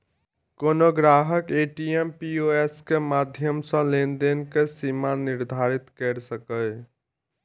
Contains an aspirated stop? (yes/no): no